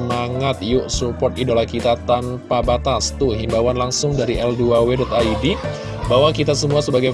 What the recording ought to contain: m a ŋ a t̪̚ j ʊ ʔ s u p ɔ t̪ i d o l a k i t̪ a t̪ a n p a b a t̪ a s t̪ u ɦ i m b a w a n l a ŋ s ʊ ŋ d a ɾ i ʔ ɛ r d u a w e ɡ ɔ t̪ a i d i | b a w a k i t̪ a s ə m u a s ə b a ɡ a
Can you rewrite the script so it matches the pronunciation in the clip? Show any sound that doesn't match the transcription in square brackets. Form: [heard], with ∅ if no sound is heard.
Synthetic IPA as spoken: m a ŋ a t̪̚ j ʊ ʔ s u p ɔ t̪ i d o l a k i t̪ a t̪ a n p a b a t̪ a s t̪ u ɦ i m b a w a n l a ŋ s ʊ ŋ d a ɾ i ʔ ɛ [l] d u a w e [d] ɔ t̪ a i d i | b a w a k i t̪ a s ə m u a s ə b a ɡ a